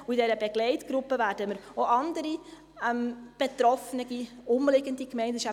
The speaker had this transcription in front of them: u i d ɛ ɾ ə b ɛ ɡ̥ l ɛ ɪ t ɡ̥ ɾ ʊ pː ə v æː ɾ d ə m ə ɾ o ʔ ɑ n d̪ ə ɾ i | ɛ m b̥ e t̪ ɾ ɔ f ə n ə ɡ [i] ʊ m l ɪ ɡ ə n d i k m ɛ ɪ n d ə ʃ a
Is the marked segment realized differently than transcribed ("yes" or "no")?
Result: no